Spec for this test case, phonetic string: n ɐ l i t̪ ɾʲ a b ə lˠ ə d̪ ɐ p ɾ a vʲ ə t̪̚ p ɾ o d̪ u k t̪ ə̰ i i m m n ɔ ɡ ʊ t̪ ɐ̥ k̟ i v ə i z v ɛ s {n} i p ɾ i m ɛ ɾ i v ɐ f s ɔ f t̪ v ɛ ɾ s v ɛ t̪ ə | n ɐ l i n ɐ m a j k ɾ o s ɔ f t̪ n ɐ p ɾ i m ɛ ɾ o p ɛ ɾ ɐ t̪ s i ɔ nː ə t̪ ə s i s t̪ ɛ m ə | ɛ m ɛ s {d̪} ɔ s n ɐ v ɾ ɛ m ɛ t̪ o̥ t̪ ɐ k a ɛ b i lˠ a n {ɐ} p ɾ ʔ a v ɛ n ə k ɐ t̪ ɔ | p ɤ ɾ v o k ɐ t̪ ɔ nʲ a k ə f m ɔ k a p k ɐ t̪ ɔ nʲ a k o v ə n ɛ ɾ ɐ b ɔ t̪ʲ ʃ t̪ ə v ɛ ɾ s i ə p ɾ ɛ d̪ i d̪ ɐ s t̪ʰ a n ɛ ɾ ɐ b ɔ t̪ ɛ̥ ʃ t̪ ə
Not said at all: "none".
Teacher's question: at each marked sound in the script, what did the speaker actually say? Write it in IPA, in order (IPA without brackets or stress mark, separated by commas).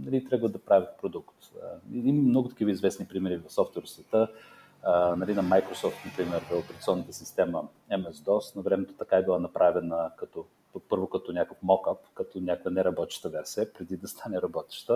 n, d̪, ɐ